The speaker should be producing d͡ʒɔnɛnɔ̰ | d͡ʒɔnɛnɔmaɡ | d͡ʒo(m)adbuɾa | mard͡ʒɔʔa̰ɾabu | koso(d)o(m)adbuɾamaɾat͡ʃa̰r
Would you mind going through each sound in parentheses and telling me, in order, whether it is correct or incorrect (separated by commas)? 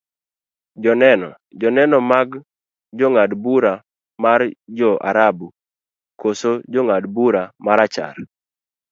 incorrect, incorrect, incorrect